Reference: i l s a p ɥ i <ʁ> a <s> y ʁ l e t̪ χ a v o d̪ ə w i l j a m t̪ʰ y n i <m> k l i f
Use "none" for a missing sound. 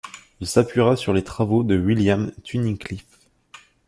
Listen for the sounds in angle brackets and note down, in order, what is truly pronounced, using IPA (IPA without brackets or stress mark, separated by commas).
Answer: ʁ, s, none